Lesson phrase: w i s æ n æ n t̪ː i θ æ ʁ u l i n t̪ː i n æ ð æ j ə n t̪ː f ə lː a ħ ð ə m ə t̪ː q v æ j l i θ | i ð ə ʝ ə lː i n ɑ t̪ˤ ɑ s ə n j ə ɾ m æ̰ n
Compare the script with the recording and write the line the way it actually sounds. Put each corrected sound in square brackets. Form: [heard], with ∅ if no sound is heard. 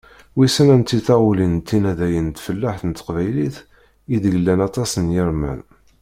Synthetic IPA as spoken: w i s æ n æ n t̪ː i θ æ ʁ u l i n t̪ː i n æ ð æ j ə n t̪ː f ə lː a ħ [θ] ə [n] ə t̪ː q v æ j l i θ | i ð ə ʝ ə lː [æ] n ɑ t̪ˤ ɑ s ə n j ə ɾ m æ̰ n